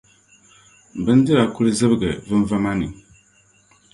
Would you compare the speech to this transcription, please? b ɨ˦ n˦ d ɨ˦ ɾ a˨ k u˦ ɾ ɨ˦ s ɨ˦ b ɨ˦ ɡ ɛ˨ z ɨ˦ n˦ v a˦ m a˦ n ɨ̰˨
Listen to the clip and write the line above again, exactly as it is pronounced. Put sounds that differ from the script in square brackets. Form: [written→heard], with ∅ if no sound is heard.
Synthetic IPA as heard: b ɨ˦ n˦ d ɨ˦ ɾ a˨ k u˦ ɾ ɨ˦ [s→z] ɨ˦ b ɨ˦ ɡ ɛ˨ [z→v] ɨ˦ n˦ v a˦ m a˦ n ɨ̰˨